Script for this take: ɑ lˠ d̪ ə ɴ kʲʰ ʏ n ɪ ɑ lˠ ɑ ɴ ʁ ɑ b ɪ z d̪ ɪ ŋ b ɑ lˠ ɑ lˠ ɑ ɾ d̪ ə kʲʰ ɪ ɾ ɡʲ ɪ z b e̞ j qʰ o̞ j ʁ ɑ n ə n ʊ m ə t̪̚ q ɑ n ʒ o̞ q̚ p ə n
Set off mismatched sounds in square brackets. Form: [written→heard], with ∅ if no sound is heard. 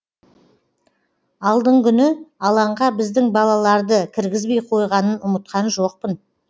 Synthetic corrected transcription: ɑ lˠ d̪ ə ɴ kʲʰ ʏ n ɪ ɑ lˠ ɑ ɴ ʁ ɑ b ɪ z d̪ ɪ ŋ b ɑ lˠ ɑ lˠ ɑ ɾ d̪ ə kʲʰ ɪ ɾ ɡʲ ɪ z b e̞ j qʰ o̞ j ʁ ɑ n ə n ʊ m ə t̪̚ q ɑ n ʒ o̞ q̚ p ə n

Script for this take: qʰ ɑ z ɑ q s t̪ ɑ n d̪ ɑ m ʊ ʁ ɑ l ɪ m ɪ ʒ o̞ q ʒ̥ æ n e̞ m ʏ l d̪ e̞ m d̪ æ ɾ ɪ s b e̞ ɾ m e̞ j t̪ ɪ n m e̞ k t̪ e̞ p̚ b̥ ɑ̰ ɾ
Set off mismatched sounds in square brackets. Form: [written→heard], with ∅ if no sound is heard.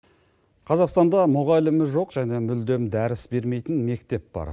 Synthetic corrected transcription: qʰ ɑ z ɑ q s t̪ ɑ n d̪ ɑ m ʊ ʁ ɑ l ɪ m ɪ ʒ o̞ q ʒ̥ æ n e̞ m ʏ l d̪ e̞ m d̪ æ ɾ ɪ s b e̞ ɾ m e̞ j t̪ ɪ n m e̞ k t̪ e̞ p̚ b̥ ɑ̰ ɾ

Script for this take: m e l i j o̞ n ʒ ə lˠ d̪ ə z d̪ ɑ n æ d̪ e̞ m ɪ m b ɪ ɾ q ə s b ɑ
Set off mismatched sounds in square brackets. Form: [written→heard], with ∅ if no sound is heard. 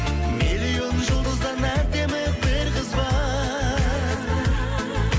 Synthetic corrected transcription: m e l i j o̞ n ʒ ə lˠ d̪ ə z d̪ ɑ n æ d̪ e̞ m ɪ [m→∅] b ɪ ɾ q ə [s→z] b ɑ

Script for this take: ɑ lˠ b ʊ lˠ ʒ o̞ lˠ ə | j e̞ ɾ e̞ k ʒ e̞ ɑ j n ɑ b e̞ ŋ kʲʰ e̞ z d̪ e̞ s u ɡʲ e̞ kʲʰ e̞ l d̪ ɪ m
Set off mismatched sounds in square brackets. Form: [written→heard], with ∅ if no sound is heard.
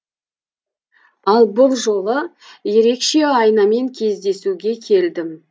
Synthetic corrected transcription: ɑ lˠ b ʊ lˠ ʒ o̞ lˠ ə | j e̞ ɾ e̞ k [ʒ→ʃ] e̞ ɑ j n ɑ [b→m] e̞ ŋ kʲʰ e̞ z d̪ e̞ s u ɡʲ e̞ kʲʰ e̞ l d̪ ɪ m

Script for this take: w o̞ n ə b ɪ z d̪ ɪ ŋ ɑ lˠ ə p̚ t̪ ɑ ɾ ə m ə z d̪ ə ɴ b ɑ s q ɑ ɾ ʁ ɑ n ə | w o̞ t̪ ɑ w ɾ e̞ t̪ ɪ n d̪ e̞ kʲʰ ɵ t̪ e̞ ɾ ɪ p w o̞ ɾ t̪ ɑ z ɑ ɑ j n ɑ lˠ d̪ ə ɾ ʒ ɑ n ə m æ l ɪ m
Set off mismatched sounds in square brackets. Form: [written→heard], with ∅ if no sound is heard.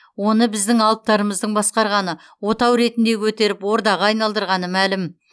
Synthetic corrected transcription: w o̞ n ə b ɪ z d̪ ɪ ŋ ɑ lˠ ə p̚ t̪ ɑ ɾ ə m ə z d̪ ə ɴ b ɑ s q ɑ ɾ ʁ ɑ n ə | w o̞ t̪ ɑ w ɾ e̞ t̪ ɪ n d̪ e̞ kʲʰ ɵ t̪ e̞ ɾ ɪ p w o̞ ɾ [t̪→d̪] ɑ [z→ʁ] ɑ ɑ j n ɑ lˠ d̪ ə ɾ [ʒ→ʁ] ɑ n ə m æ l ɪ m

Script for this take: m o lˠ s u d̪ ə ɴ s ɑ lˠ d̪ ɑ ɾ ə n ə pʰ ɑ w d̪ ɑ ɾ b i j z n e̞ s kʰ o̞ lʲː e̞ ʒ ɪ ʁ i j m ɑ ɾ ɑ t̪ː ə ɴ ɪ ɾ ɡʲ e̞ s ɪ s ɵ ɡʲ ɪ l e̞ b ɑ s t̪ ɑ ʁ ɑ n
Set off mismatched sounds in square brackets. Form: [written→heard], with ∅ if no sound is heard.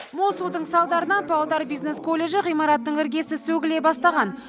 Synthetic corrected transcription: m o lˠ s u d̪ ə ɴ s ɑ lˠ d̪ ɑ ɾ ə n [ə→ɑ] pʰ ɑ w d̪ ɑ ɾ b i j z n e̞ s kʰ o̞ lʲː e̞ ʒ ɪ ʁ i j m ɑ ɾ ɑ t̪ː ə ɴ ɪ ɾ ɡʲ e̞ s ɪ s ɵ ɡʲ ɪ l e̞ b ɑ s t̪ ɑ ʁ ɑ n

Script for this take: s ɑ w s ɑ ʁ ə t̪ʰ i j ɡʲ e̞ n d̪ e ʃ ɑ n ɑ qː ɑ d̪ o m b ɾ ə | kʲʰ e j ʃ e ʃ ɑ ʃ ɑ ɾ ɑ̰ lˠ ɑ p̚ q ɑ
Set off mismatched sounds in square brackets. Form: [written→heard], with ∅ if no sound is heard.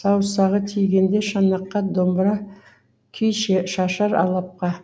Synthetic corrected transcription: s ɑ w s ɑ ʁ ə t̪ʰ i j ɡʲ e̞ n d̪ e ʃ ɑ n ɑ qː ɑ d̪ o m b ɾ [ə→ɑ] | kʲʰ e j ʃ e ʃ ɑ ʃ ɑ ɾ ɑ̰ lˠ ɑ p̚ q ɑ

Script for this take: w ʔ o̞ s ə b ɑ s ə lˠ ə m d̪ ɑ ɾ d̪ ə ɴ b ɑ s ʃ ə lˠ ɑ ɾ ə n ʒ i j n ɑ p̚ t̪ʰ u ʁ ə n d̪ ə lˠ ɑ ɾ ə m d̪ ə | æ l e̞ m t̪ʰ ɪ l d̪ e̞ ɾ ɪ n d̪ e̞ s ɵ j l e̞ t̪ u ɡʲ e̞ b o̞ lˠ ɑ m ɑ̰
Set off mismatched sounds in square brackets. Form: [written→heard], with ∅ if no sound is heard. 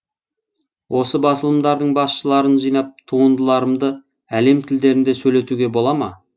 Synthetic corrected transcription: w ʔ o̞ s ə b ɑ s ə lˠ ə m d̪ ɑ ɾ d̪ ə ɴ b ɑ s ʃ ə lˠ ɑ ɾ ə n ʒ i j n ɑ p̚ t̪ʰ u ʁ ə n d̪ ə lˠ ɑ ɾ ə m d̪ ə | æ l e̞ m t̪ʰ ɪ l d̪ e̞ ɾ ɪ n d̪ e̞ s ɵ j l e̞ t̪ u ɡʲ e̞ b o̞ lˠ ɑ m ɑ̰

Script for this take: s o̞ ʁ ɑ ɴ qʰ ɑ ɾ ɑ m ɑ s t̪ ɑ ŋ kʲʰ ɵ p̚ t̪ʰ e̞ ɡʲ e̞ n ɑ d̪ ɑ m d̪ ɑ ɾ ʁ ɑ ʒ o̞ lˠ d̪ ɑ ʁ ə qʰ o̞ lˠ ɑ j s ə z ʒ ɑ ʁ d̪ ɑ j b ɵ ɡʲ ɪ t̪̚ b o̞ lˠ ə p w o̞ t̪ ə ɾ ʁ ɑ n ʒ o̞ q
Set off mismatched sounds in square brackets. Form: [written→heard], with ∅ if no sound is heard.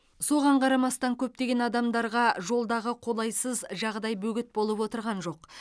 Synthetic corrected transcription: s o̞ ʁ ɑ ɴ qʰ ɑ ɾ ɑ m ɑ s t̪ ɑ ŋ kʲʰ ɵ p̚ [t̪ʰ→t̪] e̞ ɡʲ e̞ n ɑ d̪ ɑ m d̪ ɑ ɾ ʁ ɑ ʒ o̞ lˠ d̪ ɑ ʁ ə qʰ o̞ lˠ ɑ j s ə z ʒ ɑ ʁ d̪ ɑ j b ɵ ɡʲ ɪ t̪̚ b o̞ lˠ ə p w o̞ t̪ ə ɾ ʁ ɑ n ʒ o̞ q

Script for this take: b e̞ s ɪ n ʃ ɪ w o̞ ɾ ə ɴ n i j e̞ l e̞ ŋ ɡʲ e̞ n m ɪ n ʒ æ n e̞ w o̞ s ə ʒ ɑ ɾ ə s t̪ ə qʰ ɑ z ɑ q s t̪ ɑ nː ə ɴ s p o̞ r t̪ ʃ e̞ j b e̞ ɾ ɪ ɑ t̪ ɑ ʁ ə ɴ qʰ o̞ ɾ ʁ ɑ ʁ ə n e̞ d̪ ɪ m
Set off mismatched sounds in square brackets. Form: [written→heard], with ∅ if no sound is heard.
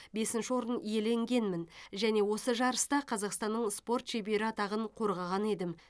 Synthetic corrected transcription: b e̞ s ɪ n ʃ ɪ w o̞ ɾ ə [ɴ→∅] n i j e̞ l e̞ ŋ ɡʲ e̞ n m ɪ n ʒ æ n e̞ w o̞ s ə ʒ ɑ ɾ ə s t̪ [ə→ɑ] qʰ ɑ z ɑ q s t̪ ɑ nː ə ɴ s p o̞ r t̪ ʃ e̞ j b e̞ ɾ ɪ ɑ t̪ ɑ ʁ ə ɴ qʰ o̞ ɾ ʁ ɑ ʁ [ə→ɑ] n e̞ d̪ ɪ m

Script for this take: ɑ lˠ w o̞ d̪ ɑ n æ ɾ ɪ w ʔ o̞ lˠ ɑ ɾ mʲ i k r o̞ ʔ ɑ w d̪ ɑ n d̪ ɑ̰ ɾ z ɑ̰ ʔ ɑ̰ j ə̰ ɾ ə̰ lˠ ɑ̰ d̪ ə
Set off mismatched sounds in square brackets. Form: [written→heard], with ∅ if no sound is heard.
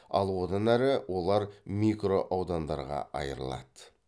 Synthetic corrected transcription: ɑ lˠ w o̞ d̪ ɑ n æ ɾ ɪ w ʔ o̞ lˠ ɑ ɾ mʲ i k r o̞ ʔ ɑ w d̪ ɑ n d̪ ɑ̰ ɾ [z→ʁ] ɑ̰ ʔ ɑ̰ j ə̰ ɾ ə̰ lˠ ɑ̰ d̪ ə

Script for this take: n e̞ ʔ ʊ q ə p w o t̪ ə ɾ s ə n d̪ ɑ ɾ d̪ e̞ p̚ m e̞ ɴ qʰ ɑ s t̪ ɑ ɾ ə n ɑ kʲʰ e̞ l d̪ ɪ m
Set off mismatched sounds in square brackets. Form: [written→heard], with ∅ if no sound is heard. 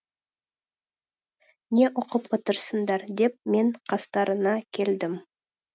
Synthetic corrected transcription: n e̞ ʔ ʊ q ə p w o t̪ ə ɾ s ə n d̪ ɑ ɾ d̪ e̞ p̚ m e̞ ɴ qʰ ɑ s t̪ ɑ ɾ ə n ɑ kʲʰ e̞ l d̪ ɪ m

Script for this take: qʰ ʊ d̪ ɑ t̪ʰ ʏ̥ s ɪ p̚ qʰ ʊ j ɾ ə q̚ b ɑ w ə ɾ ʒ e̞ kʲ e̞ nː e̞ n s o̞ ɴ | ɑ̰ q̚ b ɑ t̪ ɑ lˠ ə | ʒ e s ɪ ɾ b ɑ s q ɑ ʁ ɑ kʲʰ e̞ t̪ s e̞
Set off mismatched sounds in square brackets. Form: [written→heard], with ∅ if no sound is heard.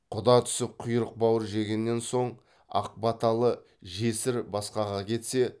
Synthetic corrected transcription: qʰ ʊ d̪ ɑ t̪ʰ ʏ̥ s ɪ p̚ qʰ ʊ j ɾ ə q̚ b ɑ w ə ɾ ʒ e̞ [kʲ→ɡʲ] e̞ nː e̞ n s o̞ ɴ | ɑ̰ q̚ b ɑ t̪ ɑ lˠ ə | ʒ e s ɪ ɾ b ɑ s q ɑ ʁ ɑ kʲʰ e̞ t̪ s e̞

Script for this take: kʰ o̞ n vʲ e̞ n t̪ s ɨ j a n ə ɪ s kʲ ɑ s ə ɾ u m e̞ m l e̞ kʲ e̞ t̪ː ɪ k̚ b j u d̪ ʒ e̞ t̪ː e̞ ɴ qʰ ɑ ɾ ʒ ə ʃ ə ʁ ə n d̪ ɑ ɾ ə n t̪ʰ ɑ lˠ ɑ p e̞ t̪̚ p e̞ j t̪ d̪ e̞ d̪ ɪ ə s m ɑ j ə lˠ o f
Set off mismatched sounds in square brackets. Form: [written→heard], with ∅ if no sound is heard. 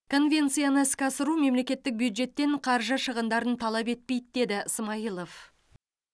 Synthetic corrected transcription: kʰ o̞ n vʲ e̞ n t̪ s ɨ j a n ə ɪ s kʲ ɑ s ə ɾ u m e̞ m l e̞ kʲ e̞ t̪ː ɪ k̚ b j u d̪ ʒ e̞ t̪ː e̞ ɴ qʰ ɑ ɾ ʒ ə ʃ ə ʁ ə n d̪ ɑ ɾ ə n t̪ʰ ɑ lˠ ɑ p e̞ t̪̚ p e̞ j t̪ d̪ e̞ d̪ ɪ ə s m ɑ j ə lˠ o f

